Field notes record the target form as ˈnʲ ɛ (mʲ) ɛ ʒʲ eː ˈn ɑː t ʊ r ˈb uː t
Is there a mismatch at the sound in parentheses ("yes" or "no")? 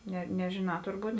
yes